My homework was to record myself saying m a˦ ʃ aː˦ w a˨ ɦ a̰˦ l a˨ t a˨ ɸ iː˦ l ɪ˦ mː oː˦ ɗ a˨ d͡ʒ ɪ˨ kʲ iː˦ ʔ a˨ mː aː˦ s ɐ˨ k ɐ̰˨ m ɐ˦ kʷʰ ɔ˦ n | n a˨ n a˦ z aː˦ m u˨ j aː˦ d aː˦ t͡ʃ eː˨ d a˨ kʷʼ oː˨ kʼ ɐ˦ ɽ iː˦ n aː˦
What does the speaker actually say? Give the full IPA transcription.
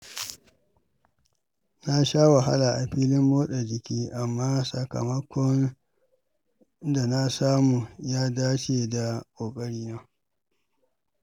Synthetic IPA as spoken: n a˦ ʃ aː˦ w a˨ ɦ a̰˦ l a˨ ʔ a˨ ɸ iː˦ l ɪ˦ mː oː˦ ɗ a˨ d͡ʒ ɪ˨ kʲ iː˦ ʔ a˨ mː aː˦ s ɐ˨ k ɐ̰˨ m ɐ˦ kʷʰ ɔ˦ n | d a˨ n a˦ s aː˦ m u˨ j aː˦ d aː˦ t͡ʃ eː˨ d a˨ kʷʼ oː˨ kʼ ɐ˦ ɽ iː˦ n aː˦